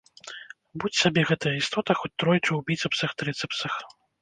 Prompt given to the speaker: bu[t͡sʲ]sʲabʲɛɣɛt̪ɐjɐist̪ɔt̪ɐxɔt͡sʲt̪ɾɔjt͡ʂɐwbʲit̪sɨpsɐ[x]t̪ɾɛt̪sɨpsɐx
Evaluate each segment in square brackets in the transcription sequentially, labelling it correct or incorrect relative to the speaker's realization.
correct, correct

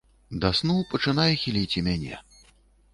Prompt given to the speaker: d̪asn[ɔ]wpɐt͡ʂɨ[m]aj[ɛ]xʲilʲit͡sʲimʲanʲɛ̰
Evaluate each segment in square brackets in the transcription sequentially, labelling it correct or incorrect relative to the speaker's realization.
incorrect, incorrect, correct

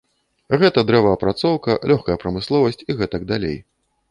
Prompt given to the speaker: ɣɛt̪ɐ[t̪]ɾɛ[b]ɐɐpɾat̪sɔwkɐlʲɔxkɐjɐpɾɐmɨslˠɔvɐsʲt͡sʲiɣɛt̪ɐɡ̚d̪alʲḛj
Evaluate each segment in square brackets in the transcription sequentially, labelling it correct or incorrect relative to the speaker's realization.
incorrect, incorrect

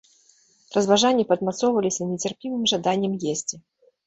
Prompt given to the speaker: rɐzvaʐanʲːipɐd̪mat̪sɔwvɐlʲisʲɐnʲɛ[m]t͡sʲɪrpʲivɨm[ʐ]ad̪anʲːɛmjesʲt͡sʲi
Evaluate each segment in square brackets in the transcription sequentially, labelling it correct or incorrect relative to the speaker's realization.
incorrect, correct

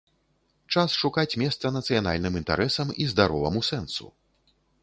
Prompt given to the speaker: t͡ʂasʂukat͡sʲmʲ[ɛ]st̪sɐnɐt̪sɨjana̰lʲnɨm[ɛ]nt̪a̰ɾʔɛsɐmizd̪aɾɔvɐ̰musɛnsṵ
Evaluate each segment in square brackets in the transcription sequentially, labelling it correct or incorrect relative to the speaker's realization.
correct, incorrect

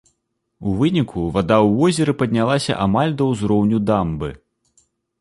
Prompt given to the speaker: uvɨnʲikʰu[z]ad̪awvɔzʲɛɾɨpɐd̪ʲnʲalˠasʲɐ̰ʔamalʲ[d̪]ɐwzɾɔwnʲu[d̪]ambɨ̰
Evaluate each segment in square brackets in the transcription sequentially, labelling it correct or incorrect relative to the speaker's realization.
incorrect, correct, correct

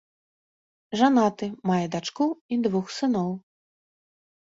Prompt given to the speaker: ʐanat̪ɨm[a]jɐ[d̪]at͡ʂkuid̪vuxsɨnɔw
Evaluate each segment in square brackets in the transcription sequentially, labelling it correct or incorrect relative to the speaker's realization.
correct, correct

